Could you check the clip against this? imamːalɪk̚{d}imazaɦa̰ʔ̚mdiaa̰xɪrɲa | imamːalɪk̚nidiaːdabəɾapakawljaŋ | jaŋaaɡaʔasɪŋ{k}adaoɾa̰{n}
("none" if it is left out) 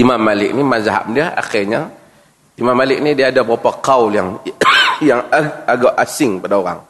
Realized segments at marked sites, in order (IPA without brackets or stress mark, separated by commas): n, p, ŋ